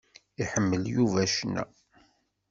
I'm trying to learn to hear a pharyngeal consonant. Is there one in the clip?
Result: yes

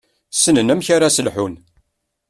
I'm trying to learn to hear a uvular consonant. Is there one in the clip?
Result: no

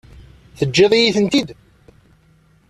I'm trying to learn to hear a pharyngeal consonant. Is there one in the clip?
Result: no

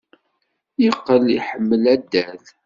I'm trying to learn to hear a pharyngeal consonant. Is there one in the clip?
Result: yes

